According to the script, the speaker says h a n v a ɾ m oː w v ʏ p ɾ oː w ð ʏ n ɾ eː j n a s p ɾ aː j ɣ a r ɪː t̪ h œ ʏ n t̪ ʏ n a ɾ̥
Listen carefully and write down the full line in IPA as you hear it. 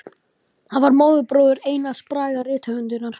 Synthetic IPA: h a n v a ɾ m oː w ð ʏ p ɾ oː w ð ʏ ɾ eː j n a s p ɾ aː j ɣ a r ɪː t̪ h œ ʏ n t̪ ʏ n a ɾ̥